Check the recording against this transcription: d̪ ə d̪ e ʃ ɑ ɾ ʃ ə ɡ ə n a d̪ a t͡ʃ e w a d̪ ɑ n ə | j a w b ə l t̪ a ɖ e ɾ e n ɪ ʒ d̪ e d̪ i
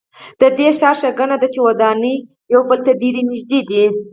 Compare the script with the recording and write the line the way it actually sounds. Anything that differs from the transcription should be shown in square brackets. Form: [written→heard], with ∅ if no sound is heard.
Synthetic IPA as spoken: d̪ ə d̪ e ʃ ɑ ɾ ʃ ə ɡ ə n a d̪ a t͡ʃ e w a d̪ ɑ n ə | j a w b ə l t̪ a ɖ e ɾ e n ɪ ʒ d̪ e d̪ i